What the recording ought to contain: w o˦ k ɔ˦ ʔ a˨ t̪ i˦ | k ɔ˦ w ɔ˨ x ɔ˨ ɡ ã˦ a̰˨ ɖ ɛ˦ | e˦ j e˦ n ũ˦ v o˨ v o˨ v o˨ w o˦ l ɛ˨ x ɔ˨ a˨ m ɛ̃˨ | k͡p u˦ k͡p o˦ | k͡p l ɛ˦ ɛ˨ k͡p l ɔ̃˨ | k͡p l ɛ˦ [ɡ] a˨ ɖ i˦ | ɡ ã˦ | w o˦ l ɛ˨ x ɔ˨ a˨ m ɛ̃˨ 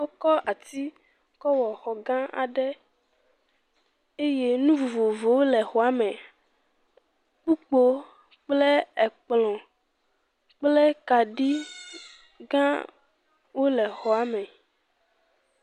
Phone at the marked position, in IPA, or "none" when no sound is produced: k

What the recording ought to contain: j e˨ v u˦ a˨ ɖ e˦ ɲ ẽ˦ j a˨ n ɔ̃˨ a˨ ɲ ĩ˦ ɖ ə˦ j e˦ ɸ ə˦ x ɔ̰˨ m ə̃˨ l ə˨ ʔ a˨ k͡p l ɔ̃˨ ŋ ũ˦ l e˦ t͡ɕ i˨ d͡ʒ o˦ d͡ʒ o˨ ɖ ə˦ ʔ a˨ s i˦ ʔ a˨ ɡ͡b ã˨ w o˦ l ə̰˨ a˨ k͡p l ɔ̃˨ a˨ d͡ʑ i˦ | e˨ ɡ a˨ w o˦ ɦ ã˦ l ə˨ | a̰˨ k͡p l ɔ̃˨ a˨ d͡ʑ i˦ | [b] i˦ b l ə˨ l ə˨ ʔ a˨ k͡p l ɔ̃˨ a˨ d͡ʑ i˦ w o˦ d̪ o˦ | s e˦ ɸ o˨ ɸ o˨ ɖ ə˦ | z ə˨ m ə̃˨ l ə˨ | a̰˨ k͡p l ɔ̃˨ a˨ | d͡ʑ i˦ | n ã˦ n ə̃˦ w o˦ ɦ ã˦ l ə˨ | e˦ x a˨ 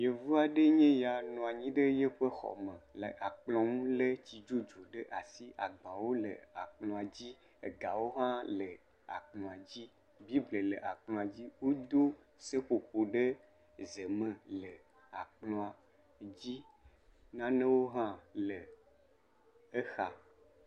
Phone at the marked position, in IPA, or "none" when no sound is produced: b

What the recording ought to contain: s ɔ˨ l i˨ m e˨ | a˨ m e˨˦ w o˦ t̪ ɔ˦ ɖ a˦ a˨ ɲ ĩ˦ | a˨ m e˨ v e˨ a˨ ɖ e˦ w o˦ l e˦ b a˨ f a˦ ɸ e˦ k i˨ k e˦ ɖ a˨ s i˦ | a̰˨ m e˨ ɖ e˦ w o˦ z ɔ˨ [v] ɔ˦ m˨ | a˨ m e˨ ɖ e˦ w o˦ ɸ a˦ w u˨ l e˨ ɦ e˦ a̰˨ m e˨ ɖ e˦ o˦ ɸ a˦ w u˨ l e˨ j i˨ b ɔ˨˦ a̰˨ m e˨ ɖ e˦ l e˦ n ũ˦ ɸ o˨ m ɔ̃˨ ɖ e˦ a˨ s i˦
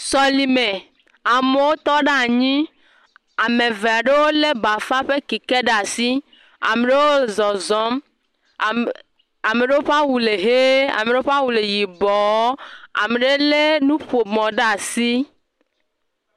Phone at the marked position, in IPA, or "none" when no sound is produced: z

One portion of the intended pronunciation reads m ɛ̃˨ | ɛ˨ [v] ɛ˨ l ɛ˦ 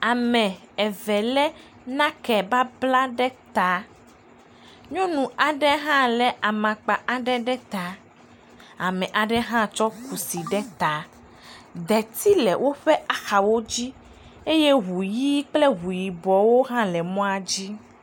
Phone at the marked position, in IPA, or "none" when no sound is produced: v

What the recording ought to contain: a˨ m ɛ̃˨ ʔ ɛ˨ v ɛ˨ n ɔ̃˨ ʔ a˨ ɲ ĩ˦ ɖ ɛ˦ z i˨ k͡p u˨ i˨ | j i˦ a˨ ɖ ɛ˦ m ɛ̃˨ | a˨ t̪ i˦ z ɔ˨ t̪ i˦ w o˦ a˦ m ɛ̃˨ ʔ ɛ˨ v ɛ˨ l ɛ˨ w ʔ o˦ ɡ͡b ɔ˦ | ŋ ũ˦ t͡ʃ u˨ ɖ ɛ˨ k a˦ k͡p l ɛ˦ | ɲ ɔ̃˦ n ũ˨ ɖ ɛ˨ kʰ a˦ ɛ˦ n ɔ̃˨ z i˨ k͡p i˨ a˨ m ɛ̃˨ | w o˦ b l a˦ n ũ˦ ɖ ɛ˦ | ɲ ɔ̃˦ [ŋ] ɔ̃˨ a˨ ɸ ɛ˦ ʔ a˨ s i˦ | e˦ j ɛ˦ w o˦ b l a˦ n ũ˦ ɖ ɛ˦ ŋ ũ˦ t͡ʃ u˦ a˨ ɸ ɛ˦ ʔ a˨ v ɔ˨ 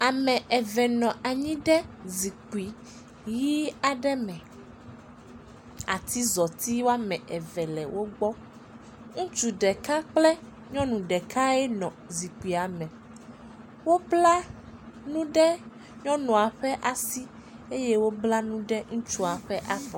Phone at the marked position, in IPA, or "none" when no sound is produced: n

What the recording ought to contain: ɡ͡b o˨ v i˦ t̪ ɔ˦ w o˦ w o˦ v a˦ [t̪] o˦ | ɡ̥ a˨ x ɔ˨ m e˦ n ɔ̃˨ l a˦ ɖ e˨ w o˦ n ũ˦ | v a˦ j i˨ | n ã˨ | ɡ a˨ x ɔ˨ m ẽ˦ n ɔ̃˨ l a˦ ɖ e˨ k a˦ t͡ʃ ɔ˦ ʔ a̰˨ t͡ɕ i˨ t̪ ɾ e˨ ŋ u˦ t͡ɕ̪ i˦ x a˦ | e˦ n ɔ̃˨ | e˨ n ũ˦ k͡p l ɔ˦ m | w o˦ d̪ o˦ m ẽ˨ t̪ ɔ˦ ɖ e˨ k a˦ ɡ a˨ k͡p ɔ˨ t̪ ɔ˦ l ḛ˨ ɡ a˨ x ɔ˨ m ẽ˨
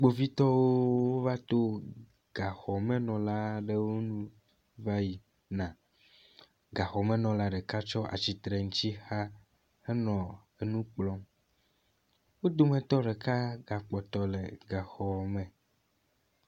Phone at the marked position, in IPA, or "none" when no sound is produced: t̪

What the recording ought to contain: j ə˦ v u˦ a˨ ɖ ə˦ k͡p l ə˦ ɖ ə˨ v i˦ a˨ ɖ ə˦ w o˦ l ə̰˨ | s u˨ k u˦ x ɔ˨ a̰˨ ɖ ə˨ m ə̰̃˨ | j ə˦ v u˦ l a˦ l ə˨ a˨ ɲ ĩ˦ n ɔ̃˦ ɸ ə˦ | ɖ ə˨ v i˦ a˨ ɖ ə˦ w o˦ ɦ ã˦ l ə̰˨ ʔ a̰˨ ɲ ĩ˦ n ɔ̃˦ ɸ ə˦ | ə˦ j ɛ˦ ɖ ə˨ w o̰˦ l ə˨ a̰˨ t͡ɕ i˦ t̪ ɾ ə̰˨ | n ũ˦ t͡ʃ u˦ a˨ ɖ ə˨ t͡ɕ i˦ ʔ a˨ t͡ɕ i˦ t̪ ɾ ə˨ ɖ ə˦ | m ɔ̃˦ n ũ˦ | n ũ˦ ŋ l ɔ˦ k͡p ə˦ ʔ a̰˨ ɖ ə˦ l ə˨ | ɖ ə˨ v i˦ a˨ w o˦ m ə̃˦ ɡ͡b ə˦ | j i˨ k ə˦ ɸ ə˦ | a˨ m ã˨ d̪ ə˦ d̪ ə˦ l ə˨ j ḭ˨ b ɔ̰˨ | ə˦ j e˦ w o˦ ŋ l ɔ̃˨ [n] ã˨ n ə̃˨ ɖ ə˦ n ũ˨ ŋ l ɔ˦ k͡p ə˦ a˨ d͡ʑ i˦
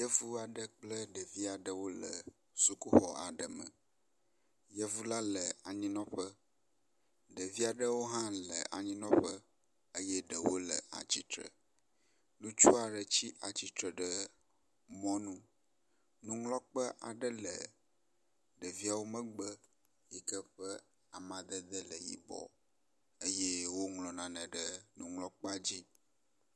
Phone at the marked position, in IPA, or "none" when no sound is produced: n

